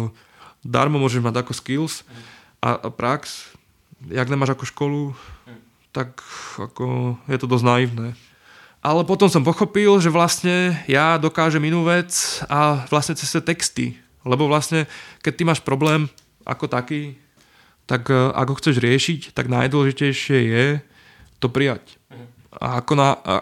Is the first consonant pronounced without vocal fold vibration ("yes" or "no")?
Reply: no